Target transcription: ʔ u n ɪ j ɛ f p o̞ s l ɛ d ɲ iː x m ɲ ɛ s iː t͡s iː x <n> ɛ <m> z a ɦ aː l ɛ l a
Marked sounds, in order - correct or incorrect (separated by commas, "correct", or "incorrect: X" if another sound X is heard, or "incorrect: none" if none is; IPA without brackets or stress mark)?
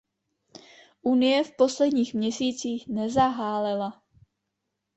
correct, incorrect: none